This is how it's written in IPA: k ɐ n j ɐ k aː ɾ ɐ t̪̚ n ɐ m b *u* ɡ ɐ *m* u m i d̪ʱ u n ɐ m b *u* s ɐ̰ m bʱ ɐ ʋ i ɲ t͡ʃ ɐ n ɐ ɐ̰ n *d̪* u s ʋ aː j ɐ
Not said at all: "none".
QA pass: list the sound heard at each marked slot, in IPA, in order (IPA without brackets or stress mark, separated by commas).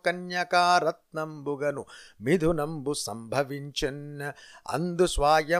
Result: u, n, u, d̪